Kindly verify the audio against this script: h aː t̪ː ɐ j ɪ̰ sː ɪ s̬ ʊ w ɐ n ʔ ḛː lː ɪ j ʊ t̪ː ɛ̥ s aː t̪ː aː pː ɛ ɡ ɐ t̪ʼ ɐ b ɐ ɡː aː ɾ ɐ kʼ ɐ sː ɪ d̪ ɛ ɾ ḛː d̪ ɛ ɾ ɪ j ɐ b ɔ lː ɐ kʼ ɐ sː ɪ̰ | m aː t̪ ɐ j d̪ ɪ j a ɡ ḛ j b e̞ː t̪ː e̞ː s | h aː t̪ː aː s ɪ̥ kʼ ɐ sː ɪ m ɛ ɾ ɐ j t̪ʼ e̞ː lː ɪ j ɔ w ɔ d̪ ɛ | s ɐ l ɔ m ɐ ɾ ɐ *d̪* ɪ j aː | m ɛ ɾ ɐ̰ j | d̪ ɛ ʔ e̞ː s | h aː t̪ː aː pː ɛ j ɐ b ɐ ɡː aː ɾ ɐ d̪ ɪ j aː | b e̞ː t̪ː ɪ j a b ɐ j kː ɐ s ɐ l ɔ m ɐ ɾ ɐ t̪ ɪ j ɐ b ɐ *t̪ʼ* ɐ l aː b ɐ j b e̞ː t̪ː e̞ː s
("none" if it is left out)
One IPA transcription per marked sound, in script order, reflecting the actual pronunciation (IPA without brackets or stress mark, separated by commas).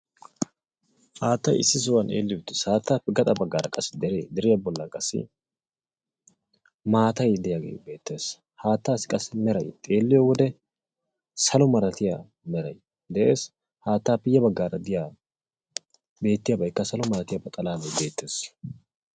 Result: t̪, t̪ʼ